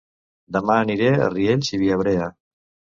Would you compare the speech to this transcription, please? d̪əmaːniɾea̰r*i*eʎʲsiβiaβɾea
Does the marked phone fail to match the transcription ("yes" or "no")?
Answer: no